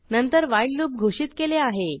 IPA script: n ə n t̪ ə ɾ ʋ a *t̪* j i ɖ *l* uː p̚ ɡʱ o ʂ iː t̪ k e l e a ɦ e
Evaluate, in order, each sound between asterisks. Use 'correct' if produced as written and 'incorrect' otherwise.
incorrect: none, correct

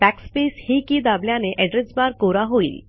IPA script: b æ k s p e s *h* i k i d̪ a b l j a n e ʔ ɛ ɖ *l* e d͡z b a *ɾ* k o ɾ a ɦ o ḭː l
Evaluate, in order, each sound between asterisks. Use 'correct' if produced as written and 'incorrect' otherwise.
correct, incorrect: ɾ, correct

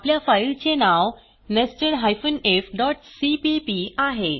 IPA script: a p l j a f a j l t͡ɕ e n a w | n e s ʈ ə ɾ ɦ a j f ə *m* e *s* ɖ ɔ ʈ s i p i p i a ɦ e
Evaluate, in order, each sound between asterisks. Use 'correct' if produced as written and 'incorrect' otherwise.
incorrect: n, incorrect: f

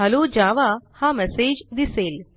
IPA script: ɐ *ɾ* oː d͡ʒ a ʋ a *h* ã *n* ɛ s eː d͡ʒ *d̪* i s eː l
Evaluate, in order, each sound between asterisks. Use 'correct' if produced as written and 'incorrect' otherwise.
incorrect: l, correct, incorrect: m, correct

